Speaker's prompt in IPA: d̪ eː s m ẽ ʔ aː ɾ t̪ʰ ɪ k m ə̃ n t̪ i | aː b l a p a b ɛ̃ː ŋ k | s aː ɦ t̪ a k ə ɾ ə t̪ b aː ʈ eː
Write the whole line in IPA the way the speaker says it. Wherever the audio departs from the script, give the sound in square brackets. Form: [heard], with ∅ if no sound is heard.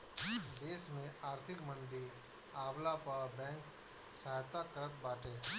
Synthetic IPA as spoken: d̪ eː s m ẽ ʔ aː ɾ t̪ʰ ɪ k m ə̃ n [d̪] i | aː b l a p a b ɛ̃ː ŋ k | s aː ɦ t̪ a k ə ɾ ə t̪ b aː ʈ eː